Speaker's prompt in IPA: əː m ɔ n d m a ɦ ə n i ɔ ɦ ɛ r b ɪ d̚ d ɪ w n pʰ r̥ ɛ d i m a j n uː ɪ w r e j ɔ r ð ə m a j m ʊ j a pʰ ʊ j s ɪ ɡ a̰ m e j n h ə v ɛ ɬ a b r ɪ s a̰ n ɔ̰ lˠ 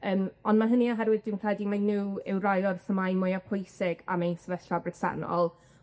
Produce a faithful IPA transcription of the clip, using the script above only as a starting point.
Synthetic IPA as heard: əː m ɔ n d m a ɦ ə n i ɔ ɦ ɛ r w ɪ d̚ d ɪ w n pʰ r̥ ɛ d i m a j n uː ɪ w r a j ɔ r θ ə m a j m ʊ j a pʰ ʊ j s ɪ ɡ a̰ m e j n s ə v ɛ ɬ a b r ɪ s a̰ n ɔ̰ lˠ